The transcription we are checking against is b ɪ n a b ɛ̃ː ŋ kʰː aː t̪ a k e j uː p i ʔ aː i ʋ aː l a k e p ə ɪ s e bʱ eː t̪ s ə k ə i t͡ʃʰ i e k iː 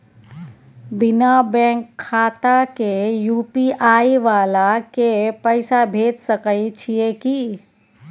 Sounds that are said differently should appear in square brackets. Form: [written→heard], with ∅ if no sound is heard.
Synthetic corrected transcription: b ɪ n a b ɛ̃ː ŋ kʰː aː t̪ a k e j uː p i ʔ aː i ʋ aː l a k e p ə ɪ s [e→a] bʱ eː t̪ s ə k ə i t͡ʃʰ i e k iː